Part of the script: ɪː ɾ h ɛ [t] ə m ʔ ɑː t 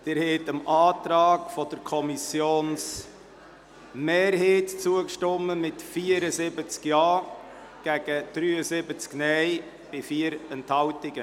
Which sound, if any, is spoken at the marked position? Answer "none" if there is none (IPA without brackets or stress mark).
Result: t